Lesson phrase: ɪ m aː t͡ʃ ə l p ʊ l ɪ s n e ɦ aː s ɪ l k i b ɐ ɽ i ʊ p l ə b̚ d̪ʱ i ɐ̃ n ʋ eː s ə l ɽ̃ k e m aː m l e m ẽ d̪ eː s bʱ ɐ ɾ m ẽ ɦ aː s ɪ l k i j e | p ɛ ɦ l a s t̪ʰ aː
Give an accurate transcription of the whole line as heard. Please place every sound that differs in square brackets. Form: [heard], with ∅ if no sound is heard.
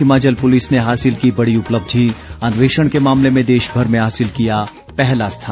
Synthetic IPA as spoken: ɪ m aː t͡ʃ ə l p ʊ l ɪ s n e ɦ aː s ɪ l k i b ɐ ɽ i ʊ p l ə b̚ d̪ʱ i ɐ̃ n ʋ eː [ʃ] ə [∅] ɽ̃ k e m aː m l e m ẽ d̪ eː [ʃ] bʱ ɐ ɾ m ẽ ɦ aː s ɪ l k i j [a] | p ɛ ɦ l a s t̪ʰ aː